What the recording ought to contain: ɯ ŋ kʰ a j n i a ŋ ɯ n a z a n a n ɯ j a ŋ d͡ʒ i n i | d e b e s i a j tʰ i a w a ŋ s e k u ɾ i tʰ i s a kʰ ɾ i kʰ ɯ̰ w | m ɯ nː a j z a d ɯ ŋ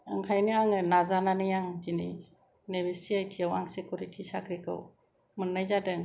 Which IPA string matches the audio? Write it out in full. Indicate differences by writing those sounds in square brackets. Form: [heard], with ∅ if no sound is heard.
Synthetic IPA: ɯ ŋ kʰ a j n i a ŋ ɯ n a z a n a n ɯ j a ŋ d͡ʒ i n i | [n] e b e s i a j tʰ i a w a ŋ s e k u ɾ i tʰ i s a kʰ ɾ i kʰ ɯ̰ w | m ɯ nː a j z a d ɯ ŋ